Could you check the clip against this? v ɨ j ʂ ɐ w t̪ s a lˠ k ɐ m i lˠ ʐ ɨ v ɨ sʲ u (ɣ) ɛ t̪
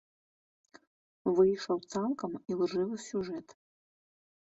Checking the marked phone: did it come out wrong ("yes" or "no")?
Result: yes